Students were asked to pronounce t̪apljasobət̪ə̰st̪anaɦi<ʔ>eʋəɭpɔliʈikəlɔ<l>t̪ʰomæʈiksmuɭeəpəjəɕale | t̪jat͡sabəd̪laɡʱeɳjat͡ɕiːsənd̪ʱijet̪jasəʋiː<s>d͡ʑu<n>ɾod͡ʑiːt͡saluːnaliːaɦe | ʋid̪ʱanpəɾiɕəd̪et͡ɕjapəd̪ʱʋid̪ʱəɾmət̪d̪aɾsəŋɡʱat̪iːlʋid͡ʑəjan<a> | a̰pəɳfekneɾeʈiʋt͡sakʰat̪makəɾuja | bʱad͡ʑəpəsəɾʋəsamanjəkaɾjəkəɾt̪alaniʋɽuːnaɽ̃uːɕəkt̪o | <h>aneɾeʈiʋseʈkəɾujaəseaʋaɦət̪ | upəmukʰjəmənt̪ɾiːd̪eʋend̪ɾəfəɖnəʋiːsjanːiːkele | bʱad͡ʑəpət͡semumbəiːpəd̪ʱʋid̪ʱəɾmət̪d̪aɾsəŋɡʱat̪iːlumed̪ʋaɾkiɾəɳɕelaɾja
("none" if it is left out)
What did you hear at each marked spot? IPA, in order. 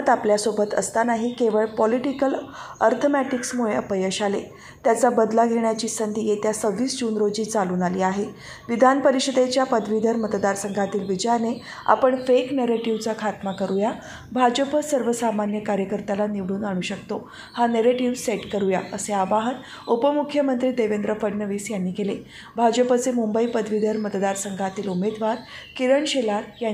k, ɾ, s, n, e, h

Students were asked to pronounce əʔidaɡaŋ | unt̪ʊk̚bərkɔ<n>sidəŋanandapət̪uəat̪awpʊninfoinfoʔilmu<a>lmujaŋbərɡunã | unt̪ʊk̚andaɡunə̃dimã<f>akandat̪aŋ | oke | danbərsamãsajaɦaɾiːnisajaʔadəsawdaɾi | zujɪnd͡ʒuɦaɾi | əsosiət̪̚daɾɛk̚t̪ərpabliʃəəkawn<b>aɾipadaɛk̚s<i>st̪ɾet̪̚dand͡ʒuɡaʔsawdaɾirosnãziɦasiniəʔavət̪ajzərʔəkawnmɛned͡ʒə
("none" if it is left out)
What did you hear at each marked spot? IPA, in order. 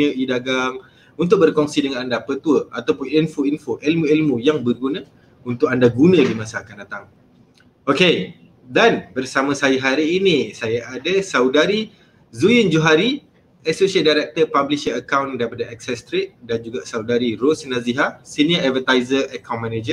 ŋ, i, s, d, ɛ

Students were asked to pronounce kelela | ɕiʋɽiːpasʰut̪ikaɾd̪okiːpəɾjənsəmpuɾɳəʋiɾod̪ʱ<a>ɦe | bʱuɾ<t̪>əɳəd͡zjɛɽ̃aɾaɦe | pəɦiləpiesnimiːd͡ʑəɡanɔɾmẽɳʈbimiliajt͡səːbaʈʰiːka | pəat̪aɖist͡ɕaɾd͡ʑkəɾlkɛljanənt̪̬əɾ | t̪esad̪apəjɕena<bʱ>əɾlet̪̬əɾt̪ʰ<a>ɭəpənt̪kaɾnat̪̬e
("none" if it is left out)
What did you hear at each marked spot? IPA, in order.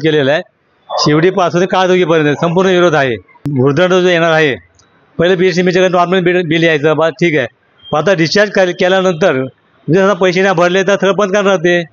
a, d̪, bʱ, ə

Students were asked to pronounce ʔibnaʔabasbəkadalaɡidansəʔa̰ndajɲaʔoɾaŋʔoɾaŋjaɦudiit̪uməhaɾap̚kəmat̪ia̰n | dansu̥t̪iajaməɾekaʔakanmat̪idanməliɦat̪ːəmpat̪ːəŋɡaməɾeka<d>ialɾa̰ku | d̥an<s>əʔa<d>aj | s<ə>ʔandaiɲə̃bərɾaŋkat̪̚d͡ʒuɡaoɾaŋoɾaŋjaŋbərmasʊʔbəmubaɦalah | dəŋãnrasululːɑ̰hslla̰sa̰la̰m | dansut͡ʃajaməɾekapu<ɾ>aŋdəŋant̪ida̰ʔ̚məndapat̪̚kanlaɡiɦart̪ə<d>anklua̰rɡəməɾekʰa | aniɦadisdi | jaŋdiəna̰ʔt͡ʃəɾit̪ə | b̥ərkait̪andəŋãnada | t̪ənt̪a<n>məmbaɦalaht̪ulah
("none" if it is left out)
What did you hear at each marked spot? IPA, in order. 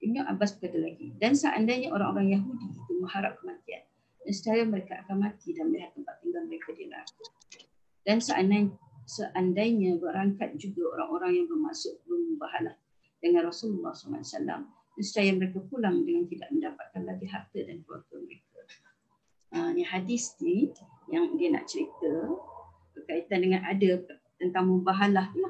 d, s, n, ə, l, d, ŋ

